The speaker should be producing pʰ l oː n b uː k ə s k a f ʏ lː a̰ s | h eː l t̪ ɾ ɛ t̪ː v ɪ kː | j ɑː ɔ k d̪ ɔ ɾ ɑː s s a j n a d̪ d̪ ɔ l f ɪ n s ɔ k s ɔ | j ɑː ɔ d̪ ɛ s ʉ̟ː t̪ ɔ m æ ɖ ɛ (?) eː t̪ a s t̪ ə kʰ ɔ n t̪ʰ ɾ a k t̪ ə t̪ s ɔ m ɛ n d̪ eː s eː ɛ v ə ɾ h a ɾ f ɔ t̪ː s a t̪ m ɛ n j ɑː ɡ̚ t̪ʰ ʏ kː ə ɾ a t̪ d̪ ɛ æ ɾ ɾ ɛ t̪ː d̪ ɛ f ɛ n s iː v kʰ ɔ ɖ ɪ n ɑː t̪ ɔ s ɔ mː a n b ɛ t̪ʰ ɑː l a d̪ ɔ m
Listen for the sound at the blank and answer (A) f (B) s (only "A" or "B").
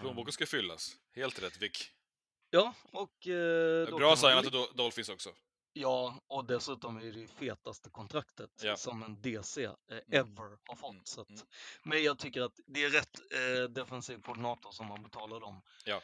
A